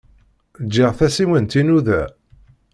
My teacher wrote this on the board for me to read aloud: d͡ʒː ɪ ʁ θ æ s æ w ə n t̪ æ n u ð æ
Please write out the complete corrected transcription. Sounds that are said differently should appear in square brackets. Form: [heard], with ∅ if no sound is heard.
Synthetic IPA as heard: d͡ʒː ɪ ʁ θ æ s [i] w ə n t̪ [i] n u ð æ